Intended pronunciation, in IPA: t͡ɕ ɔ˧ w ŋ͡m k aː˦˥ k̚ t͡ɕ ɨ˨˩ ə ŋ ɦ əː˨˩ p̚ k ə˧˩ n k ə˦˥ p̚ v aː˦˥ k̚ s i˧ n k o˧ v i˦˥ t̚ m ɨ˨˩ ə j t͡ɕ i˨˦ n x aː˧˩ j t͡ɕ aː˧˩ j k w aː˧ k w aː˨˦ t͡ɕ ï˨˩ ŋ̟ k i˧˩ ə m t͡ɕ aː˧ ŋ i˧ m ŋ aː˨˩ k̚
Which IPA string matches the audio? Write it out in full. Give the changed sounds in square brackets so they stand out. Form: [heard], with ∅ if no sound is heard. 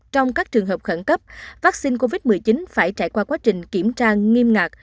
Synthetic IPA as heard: t͡ɕ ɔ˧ w ŋ͡m k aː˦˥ k̚ t͡ɕ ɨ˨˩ ə ŋ ɦ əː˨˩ p̚ [x] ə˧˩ n k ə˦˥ p̚ v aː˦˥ k̚ s i˧ n k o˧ v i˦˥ t̚ m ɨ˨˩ ə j t͡ɕ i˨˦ n [f] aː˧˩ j t͡ɕ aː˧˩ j k w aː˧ k w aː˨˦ t͡ɕ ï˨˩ ŋ̟ k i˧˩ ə m t͡ɕ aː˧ ŋ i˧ m ŋ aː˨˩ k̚